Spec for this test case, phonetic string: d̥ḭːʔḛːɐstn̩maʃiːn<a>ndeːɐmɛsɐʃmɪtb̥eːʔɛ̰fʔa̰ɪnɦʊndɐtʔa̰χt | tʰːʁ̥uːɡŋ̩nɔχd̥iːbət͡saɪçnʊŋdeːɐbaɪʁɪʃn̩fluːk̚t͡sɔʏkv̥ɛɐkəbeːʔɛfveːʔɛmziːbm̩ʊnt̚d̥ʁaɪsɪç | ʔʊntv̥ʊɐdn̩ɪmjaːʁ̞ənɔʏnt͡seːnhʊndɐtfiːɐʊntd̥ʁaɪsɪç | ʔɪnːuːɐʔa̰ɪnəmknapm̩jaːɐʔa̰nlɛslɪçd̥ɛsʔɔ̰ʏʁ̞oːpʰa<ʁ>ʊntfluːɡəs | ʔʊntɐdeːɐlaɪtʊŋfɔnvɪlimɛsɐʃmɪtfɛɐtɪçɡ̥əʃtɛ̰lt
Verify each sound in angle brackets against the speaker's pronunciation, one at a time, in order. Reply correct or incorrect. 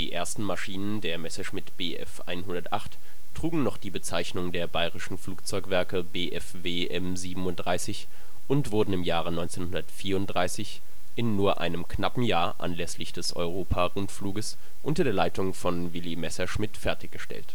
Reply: incorrect, correct

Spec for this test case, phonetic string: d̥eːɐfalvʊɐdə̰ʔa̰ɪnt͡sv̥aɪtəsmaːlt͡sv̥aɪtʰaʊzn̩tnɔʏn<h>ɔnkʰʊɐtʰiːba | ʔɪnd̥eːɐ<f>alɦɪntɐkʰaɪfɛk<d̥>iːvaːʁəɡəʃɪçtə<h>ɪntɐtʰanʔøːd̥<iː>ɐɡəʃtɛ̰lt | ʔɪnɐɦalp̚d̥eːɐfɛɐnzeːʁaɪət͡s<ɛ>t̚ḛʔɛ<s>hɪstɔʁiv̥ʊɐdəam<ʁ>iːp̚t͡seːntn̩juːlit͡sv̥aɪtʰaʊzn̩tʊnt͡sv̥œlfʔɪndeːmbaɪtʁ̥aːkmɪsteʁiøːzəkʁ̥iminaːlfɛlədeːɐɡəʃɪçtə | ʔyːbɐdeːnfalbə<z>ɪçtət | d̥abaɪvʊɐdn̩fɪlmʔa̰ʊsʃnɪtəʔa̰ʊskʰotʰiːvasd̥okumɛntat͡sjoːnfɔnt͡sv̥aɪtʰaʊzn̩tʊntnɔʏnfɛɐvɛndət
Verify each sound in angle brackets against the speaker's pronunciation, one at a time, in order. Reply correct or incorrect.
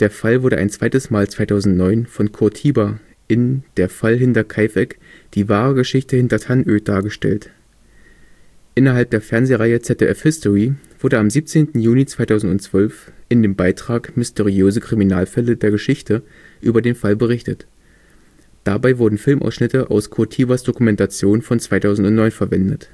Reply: incorrect, correct, correct, correct, incorrect, correct, incorrect, incorrect, incorrect

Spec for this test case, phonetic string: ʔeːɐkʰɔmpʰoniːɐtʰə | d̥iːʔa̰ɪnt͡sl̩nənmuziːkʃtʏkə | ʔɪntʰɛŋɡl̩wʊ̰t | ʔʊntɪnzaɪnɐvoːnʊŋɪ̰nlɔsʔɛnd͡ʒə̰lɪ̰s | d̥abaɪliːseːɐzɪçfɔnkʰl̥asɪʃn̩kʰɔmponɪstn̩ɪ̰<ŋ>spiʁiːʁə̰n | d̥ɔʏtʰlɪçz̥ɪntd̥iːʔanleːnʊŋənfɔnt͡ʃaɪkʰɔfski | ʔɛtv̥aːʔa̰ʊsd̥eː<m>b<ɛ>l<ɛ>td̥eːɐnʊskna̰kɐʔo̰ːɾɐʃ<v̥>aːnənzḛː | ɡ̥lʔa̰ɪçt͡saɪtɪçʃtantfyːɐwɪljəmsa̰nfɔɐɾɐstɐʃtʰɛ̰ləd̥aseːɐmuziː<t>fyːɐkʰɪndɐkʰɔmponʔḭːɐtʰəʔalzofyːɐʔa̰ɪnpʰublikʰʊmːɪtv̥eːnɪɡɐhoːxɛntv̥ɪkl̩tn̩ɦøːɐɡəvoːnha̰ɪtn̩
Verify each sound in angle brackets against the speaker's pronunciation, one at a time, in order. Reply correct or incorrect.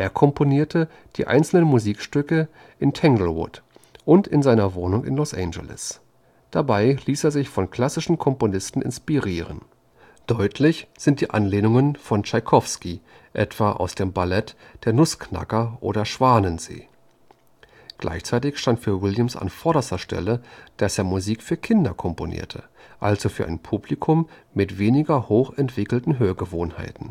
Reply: incorrect, correct, incorrect, correct, correct, incorrect

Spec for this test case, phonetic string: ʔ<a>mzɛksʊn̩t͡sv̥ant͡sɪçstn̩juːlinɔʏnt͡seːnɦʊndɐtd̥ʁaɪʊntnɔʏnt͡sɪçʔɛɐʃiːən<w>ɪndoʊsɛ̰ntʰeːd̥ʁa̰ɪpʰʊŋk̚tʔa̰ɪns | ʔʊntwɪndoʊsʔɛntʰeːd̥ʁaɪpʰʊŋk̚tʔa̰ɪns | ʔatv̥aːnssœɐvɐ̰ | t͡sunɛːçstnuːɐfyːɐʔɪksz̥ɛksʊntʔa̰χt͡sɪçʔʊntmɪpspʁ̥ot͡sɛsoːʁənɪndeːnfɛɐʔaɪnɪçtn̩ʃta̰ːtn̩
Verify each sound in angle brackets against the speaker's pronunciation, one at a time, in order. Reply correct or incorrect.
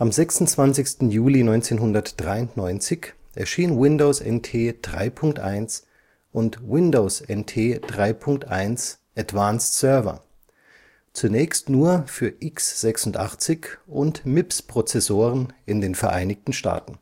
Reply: correct, correct

